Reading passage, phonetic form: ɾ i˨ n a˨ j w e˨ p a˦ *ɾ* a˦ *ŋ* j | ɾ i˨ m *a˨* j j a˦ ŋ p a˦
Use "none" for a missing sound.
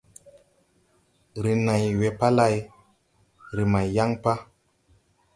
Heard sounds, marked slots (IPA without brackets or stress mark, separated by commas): l, none, a˨